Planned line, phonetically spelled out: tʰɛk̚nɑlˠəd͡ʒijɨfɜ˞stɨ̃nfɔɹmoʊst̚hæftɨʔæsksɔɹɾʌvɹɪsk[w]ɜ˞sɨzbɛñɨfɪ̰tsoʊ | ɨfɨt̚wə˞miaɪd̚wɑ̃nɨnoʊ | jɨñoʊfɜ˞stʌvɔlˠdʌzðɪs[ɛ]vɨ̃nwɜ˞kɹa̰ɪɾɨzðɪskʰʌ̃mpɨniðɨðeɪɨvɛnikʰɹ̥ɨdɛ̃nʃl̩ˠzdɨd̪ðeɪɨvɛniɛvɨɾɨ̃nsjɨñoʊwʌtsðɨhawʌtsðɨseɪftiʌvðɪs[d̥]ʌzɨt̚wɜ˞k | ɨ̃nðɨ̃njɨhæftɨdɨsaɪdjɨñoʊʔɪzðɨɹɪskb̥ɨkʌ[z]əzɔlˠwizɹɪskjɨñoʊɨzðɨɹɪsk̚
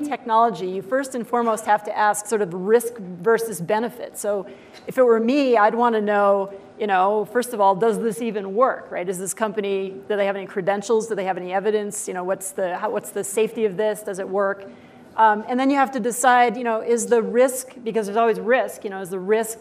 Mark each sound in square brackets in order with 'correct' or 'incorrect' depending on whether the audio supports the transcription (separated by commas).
incorrect, incorrect, correct, correct